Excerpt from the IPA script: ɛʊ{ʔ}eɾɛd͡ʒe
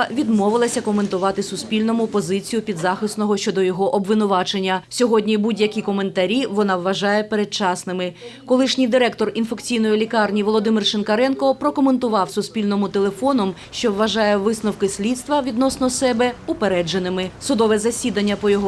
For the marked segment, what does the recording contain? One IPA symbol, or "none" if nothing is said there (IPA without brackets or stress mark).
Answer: p